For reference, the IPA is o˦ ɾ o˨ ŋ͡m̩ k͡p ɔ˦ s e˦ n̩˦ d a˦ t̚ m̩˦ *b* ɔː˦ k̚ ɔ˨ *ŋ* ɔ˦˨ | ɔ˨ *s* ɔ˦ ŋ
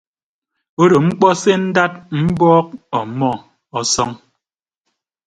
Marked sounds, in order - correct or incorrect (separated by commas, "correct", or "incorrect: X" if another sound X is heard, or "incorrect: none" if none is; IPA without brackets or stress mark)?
correct, incorrect: m, correct